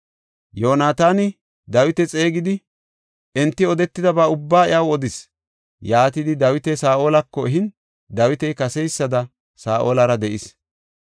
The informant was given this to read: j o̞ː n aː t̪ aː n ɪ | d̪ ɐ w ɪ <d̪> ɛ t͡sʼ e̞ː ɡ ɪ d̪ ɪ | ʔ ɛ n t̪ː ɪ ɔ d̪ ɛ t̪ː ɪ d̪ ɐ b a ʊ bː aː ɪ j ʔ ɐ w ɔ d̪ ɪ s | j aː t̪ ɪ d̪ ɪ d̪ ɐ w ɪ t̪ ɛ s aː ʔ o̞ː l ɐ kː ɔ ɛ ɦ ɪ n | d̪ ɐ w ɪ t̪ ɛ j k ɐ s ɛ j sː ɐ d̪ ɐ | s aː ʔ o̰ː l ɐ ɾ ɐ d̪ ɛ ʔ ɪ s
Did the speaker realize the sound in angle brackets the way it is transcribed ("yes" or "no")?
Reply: no